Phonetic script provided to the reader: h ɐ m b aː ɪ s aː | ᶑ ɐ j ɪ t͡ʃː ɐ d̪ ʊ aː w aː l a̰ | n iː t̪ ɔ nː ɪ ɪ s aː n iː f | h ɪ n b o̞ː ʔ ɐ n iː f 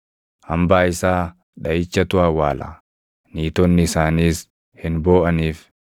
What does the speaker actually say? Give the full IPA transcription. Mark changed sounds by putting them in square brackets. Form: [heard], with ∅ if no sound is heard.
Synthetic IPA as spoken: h ɐ m b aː ɪ s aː | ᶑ ɐ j ɪ t͡ʃː ɐ [t̪] ʊ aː w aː l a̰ | n iː t̪ ɔ nː ɪ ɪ s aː n iː [s] | h ɪ n b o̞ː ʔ ɐ n iː f